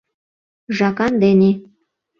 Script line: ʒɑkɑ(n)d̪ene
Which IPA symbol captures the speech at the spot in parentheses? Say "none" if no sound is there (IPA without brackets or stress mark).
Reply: n